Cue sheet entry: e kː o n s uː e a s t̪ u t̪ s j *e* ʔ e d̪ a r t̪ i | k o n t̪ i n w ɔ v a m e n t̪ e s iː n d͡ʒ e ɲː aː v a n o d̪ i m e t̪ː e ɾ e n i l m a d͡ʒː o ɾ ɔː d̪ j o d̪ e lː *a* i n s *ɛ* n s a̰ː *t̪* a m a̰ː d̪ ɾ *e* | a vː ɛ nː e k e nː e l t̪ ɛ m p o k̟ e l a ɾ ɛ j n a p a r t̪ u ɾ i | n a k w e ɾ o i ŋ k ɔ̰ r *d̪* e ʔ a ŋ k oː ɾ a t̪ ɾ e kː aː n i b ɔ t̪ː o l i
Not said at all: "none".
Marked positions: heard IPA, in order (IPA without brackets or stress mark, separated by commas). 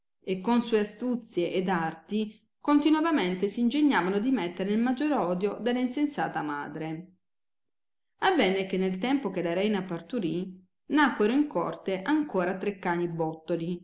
e, a, e, t̪, e, t̪